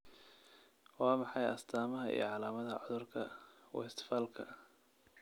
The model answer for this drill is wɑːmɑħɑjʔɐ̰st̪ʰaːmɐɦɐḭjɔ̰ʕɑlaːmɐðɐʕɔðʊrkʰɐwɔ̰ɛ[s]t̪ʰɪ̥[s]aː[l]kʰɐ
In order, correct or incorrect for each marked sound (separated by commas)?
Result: correct, incorrect, correct